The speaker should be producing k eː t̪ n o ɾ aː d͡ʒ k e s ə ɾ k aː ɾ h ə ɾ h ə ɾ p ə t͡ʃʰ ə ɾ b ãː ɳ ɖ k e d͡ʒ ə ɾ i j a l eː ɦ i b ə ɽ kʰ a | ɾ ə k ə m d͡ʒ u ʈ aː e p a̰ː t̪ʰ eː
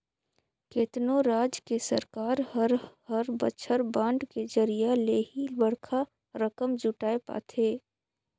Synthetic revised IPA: k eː t̪ n o ɾ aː d͡ʒ k e s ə ɾ k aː ɾ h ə ɾ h ə ɾ b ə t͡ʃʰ ə ɾ b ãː ɳ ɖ k e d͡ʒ ə ɾ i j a l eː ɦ i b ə ɽ kʰ a | ɾ ə k ə m d͡ʒ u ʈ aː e p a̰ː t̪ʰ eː